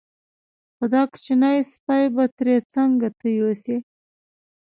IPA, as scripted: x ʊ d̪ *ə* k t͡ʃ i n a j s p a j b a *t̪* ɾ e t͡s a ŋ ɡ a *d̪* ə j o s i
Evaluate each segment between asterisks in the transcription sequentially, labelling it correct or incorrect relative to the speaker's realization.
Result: incorrect: ɑ, correct, incorrect: t̪

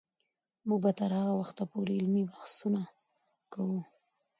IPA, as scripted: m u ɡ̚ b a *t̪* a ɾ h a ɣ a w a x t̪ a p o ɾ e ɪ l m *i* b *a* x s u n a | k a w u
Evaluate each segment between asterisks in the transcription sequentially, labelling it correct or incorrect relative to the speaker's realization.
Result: correct, correct, correct

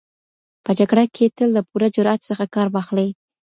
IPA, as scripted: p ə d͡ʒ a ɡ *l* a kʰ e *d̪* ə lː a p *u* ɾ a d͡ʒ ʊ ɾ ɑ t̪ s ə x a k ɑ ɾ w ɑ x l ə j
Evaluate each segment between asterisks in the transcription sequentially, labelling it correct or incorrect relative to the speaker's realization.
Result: incorrect: ɽ, incorrect: t̪, correct

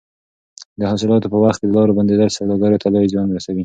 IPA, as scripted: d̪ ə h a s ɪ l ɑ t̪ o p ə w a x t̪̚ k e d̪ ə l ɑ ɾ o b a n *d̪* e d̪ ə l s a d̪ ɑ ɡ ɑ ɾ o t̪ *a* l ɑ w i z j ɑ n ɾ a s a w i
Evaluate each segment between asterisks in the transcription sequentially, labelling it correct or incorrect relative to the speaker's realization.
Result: correct, correct

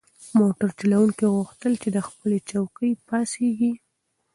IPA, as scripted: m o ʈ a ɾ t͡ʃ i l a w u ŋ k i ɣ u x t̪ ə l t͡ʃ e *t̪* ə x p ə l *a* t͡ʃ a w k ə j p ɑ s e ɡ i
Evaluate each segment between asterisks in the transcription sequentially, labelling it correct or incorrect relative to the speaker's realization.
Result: incorrect: d̪, incorrect: e

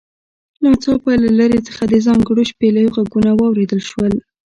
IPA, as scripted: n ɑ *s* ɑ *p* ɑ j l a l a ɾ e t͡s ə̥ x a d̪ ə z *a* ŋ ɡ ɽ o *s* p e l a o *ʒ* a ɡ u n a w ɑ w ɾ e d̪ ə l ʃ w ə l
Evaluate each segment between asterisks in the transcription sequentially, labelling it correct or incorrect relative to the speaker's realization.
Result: incorrect: t͡s, correct, incorrect: ɑ, incorrect: ʃ, incorrect: ɣ

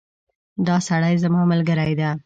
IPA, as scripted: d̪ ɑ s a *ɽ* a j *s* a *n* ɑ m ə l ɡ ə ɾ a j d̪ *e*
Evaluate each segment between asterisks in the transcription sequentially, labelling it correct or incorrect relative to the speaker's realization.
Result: correct, incorrect: z, incorrect: m, incorrect: a

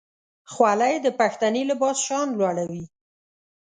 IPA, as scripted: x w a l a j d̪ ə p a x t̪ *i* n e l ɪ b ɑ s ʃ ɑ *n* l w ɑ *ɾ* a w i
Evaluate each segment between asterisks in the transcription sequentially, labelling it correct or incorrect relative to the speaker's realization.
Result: incorrect: a, correct, incorrect: ɽ

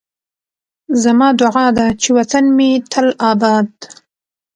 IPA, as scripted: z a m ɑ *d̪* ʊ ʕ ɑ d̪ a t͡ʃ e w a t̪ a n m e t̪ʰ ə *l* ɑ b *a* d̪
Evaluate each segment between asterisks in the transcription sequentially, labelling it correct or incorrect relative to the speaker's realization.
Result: correct, correct, incorrect: ɑ

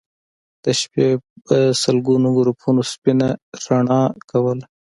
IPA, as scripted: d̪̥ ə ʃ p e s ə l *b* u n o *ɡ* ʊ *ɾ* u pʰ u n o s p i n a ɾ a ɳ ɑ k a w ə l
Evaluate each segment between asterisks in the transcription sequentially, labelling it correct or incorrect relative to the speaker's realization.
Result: incorrect: ɡ, correct, correct

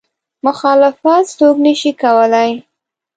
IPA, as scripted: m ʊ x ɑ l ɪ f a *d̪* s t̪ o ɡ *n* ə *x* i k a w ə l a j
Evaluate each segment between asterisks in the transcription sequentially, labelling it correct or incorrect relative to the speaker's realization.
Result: incorrect: t̪, correct, incorrect: ʃ

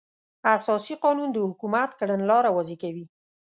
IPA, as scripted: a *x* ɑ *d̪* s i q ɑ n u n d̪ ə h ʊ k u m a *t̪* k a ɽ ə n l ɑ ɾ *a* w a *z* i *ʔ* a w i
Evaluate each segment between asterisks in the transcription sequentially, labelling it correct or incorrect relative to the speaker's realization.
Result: incorrect: s, incorrect: none, correct, correct, correct, incorrect: k

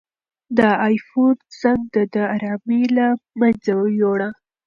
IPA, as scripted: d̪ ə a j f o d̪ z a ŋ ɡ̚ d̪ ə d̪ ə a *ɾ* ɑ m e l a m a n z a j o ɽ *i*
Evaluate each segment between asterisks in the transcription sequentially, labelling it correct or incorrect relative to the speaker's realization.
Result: correct, incorrect: a

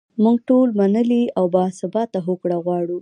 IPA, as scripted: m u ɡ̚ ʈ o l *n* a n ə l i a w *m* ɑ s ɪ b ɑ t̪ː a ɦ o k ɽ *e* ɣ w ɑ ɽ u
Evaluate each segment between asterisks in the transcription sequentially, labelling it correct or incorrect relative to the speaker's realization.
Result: incorrect: m, incorrect: b, incorrect: a

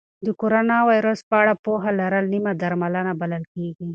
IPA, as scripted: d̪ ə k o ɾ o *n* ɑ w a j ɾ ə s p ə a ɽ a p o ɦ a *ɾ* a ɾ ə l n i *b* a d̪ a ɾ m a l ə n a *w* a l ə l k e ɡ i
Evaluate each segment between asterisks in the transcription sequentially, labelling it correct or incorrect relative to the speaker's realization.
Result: correct, incorrect: l, incorrect: m, incorrect: b

